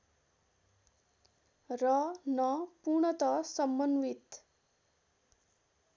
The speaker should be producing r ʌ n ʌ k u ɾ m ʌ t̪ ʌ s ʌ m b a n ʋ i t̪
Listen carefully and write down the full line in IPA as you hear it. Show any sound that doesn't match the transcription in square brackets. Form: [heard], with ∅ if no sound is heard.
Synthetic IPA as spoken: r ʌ n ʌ [p] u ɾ [ɳ] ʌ t̪ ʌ s ʌ m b [ʌ] n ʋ i t̪